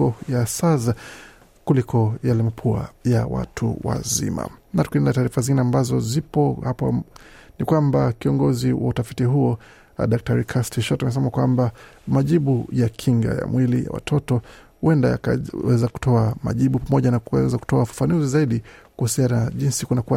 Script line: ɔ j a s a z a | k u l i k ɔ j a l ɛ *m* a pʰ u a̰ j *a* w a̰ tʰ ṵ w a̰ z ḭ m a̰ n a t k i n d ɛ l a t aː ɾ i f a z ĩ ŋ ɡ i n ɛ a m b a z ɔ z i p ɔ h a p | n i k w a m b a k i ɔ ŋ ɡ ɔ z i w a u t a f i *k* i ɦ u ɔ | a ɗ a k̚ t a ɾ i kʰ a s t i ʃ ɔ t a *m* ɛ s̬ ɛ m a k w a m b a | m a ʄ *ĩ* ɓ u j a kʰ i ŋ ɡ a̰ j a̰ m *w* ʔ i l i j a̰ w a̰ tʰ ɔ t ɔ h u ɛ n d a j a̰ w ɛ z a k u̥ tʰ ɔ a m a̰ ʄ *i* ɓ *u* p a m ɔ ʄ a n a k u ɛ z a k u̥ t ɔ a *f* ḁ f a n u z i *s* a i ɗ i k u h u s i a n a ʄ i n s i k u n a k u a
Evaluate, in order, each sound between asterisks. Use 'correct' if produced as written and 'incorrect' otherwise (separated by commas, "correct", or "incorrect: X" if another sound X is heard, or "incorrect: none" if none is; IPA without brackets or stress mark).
correct, correct, incorrect: t, correct, incorrect: i, correct, correct, correct, correct, incorrect: z